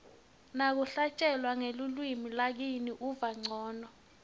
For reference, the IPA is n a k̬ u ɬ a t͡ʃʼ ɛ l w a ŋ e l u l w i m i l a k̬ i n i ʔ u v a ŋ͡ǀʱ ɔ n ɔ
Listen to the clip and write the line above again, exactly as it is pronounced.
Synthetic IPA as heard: n a k̬ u ɬ a t͡ʃʼ ɛ l w a ŋ e l u l w i m i l a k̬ i n i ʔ u v a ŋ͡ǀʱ ɔː n ɔ